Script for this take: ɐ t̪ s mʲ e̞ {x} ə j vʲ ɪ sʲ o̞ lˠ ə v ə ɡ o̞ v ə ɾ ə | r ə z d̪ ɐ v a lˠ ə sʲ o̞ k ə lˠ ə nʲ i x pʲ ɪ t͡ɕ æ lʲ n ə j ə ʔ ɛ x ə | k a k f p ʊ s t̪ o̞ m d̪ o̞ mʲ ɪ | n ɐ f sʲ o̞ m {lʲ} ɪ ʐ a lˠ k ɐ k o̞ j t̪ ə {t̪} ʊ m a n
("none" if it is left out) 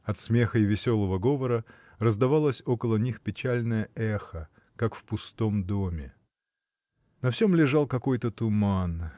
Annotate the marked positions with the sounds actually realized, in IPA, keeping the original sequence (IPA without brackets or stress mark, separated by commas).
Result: x, lʲ, t̪